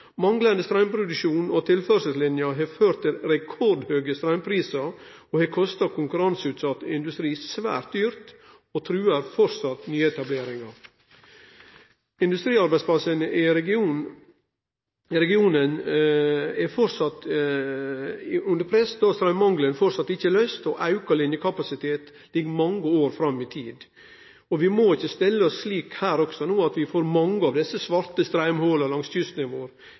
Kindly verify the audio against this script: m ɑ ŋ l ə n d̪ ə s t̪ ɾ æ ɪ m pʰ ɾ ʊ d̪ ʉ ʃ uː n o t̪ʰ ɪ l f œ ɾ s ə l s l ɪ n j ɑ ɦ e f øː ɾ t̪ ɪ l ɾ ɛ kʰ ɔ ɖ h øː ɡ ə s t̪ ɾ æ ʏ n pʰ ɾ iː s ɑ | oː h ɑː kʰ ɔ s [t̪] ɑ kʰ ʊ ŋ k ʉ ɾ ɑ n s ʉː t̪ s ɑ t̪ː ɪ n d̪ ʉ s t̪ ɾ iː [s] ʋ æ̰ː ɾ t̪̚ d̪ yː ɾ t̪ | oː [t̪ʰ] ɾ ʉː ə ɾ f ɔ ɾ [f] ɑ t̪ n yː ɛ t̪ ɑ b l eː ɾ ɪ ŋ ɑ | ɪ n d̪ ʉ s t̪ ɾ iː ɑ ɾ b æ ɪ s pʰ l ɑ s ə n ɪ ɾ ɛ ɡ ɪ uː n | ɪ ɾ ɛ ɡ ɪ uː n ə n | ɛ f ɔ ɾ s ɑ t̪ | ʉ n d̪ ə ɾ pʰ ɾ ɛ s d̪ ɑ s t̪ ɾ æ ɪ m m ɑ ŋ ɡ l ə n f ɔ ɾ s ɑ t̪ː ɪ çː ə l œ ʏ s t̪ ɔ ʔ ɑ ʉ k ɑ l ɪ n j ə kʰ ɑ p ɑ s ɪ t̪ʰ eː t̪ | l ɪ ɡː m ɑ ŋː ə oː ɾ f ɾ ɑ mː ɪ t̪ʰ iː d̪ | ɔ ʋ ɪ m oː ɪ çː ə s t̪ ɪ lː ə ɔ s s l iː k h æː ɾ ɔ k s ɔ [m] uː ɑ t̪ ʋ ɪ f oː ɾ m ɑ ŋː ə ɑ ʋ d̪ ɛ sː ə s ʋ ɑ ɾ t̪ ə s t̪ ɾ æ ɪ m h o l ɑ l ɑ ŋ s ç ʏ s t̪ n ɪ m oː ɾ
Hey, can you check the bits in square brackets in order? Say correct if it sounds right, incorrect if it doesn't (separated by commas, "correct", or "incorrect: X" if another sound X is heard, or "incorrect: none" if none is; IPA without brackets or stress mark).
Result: correct, correct, correct, incorrect: s, incorrect: n